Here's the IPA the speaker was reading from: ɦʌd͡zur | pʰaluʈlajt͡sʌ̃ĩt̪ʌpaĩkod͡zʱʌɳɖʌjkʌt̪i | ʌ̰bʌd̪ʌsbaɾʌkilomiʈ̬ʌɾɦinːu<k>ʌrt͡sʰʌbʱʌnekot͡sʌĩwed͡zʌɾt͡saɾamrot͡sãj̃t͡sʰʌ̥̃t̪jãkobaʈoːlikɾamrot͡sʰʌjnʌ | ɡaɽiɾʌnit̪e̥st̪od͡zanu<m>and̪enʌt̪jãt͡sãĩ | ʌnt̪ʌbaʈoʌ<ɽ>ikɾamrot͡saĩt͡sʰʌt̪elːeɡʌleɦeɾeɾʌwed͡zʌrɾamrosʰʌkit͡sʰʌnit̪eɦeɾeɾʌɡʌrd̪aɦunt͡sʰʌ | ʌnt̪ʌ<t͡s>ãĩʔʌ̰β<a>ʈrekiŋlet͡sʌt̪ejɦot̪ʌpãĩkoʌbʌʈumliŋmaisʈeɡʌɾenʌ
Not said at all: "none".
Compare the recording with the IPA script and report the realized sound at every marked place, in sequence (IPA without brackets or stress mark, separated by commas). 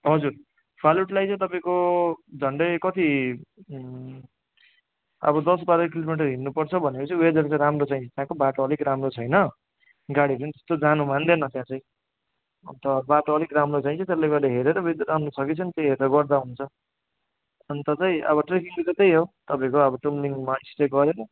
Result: p, m, l, t͡s, ʌ